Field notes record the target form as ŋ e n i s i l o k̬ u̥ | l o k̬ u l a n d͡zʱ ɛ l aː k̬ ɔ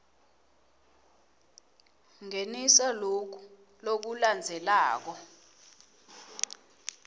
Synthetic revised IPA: ŋ e n i s a l o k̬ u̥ | l o k̬ u l a n d͡zʱ ɛ l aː k̬ ɔ